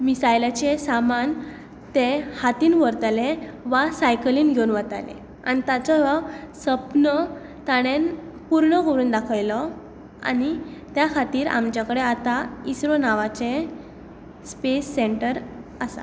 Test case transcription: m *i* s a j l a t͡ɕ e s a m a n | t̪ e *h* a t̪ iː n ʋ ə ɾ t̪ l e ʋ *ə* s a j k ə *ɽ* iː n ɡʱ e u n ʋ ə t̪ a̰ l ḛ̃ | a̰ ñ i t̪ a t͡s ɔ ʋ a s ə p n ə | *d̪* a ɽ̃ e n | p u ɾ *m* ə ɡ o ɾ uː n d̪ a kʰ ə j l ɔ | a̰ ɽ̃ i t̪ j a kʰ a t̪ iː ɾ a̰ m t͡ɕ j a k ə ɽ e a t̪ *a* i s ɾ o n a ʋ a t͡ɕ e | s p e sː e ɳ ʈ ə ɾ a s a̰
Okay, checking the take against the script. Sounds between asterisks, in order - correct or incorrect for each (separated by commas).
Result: correct, correct, incorrect, incorrect, incorrect, incorrect, correct